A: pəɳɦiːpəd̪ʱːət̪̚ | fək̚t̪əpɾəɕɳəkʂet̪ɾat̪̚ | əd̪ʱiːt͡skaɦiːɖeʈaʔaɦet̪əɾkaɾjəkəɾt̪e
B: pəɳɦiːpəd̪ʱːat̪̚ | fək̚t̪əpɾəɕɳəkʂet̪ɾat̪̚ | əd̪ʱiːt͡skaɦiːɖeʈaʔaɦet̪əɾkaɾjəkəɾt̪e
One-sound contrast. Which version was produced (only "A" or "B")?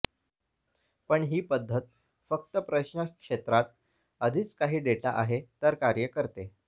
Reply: A